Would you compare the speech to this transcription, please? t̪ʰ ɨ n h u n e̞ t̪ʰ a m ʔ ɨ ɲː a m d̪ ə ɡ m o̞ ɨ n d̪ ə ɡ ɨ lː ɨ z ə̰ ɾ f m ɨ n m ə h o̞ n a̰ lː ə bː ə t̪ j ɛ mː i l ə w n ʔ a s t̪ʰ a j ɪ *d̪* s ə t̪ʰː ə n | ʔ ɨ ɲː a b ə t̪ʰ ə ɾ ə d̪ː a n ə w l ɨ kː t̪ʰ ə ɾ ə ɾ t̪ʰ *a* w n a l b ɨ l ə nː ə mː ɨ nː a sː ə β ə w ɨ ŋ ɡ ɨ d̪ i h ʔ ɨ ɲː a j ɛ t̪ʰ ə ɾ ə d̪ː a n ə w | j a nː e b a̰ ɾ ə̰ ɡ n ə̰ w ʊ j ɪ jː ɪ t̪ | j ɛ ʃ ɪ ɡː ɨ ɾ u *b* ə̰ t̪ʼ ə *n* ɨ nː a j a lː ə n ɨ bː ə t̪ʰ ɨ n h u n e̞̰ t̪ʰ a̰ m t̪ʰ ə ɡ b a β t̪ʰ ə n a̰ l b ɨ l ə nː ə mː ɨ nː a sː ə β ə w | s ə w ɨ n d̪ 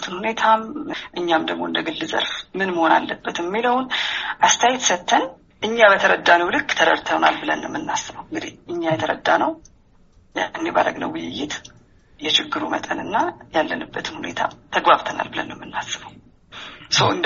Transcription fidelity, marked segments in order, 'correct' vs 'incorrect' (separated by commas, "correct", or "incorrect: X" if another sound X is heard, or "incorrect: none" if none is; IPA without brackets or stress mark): incorrect: t̪, incorrect: ə, incorrect: m, correct